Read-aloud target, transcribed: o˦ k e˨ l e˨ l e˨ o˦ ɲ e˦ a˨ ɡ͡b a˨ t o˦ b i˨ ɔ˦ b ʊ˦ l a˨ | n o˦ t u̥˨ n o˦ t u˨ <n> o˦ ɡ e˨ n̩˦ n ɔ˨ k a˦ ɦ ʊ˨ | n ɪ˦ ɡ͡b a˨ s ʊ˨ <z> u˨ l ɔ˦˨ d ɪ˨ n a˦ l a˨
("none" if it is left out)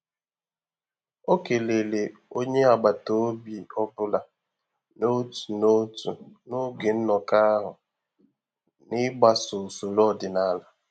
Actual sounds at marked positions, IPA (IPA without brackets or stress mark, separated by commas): n, s